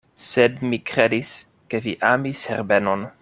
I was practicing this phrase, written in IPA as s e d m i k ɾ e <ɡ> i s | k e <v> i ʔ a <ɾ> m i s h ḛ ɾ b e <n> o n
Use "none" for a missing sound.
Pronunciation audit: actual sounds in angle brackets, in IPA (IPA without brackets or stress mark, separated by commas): d, v, none, n